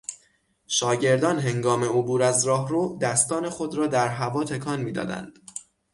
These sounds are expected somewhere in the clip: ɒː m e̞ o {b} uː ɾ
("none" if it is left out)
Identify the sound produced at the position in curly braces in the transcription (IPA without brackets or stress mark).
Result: b